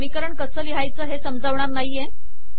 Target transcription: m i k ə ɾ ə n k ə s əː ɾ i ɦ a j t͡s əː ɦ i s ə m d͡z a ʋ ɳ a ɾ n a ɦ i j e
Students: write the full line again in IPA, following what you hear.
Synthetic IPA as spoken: m i k ə ɾ ə ɳ k ə s əː l i ɦ a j t͡s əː ɦ e s ə m d͡z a ʋ ɳ a ɾ n a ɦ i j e